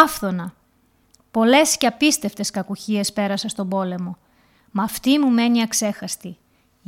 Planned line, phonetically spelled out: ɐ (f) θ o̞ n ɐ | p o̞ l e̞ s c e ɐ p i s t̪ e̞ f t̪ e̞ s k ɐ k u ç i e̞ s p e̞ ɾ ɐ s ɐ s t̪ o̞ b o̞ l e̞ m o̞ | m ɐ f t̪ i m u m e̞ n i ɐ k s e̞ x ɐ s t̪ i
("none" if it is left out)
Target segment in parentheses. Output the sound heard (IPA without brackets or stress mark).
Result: f